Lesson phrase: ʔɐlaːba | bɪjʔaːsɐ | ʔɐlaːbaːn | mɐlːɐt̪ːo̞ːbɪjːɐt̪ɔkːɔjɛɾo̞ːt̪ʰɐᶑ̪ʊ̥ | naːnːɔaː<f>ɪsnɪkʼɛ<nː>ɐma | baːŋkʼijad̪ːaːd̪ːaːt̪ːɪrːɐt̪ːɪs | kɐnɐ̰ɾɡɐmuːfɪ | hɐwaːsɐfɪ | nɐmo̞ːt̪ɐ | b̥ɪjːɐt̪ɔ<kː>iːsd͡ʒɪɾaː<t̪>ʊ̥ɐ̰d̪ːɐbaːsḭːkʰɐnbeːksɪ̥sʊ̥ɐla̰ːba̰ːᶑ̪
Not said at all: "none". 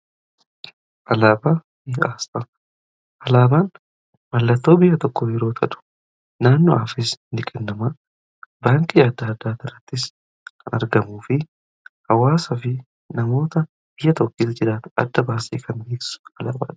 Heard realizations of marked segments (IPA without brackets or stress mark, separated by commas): f, nː, kː, t̪